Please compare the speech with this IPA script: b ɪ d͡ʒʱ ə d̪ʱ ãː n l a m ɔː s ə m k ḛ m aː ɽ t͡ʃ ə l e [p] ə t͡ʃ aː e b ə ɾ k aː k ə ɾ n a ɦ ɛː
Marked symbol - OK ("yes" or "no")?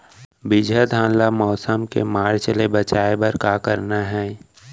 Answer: no